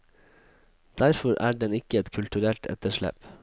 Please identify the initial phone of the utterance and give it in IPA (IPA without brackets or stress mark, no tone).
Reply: d̪̥